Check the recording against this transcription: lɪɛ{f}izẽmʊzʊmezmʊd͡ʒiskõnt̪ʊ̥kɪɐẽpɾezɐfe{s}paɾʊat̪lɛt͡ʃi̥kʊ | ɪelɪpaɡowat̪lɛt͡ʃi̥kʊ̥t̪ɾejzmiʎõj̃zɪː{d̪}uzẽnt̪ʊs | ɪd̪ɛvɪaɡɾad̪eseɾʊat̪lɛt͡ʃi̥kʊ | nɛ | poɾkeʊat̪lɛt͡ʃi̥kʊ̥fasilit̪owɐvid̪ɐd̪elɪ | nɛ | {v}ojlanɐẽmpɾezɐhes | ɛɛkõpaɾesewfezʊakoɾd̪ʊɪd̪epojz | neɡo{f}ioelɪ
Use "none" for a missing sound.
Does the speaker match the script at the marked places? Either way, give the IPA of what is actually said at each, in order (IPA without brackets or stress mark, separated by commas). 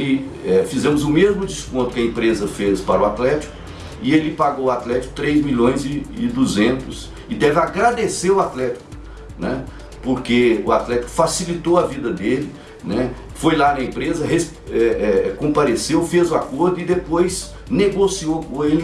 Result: f, s, d̪, f, s